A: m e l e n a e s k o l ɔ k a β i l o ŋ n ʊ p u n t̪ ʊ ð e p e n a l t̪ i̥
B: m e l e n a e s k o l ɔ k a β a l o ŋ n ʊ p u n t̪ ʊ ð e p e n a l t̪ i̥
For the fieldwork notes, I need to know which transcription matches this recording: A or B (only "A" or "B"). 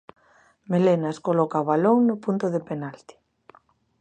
B